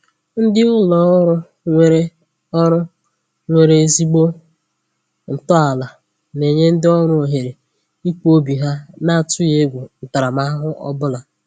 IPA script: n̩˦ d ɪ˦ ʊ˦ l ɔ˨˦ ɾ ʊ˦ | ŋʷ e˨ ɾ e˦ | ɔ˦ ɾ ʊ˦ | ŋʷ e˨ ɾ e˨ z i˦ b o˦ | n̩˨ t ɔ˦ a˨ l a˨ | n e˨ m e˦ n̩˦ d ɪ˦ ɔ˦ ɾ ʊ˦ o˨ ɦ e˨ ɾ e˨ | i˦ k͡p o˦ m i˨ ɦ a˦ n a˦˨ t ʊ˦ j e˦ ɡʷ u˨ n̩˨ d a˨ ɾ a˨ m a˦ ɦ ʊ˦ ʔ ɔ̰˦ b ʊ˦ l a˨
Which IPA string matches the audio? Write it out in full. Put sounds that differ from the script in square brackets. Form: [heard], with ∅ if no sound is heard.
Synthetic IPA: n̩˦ d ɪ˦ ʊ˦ l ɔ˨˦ ɾ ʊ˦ | ŋʷ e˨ ɾ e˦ | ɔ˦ ɾ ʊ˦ | ŋʷ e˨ ɾ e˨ z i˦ [ɡ͡b] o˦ | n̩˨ t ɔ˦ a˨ l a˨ | n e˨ [ɲ] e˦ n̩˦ d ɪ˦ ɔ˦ ɾ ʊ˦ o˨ ɦ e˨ ɾ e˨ | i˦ k͡p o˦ [b] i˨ ɦ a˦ n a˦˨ t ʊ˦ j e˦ ɡʷ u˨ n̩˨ [t] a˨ ɾ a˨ m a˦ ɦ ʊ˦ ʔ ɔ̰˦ b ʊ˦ l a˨

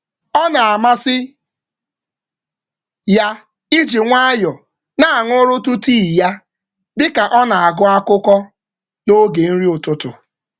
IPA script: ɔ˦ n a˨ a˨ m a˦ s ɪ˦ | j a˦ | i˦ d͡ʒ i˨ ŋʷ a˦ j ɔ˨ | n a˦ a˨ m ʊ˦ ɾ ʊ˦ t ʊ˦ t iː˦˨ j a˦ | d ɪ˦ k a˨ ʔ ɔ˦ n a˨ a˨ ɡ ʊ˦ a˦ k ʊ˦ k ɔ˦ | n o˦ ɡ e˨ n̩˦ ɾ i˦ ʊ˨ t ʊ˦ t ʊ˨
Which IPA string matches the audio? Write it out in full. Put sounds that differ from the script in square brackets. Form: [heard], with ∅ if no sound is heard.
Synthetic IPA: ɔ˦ n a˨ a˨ m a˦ s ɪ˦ | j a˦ | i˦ d͡ʒ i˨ ŋʷ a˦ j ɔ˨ | n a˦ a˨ [ŋ] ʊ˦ ɾ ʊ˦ t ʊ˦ t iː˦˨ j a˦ | d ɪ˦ k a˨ ʔ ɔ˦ n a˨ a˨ ɡ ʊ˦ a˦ k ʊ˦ k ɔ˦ | n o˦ ɡ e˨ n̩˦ ɾ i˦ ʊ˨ t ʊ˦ t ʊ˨

